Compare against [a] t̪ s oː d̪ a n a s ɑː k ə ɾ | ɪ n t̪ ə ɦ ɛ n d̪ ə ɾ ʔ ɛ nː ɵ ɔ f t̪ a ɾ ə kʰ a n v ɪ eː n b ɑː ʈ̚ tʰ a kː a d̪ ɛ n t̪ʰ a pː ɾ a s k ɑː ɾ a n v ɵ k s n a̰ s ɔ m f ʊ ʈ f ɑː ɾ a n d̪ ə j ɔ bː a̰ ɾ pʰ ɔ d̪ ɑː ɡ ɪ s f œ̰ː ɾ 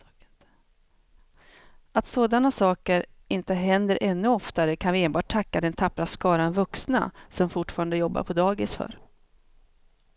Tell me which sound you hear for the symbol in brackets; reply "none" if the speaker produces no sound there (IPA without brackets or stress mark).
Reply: a